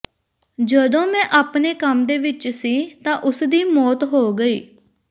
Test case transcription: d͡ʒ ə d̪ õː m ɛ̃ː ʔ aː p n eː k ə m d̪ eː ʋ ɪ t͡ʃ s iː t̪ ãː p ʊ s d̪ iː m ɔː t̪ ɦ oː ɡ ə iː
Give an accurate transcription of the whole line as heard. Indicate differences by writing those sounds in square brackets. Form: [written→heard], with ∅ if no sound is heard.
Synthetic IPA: d͡ʒ ə d̪ õː m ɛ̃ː ʔ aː p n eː k ə m d̪ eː ʋ ɪ t͡ʃ s iː t̪ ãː [p→ʔ] ʊ s d̪ iː m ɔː t̪ ɦ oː ɡ ə iː